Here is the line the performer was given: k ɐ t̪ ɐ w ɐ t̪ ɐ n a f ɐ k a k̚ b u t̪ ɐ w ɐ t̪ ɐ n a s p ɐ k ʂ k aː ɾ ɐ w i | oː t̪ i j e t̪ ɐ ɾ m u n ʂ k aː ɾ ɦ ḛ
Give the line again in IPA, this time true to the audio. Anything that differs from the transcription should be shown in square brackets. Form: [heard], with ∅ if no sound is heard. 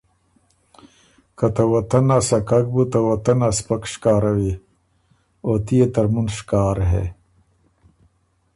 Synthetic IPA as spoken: k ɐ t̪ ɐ w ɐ t̪ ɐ n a [s] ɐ k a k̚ b u t̪ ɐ w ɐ t̪ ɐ n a s p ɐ k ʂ k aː ɾ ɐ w i | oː t̪ i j e t̪ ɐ ɾ m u n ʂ k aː ɾ ɦ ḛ